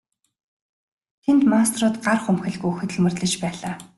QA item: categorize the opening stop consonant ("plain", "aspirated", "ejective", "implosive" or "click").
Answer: aspirated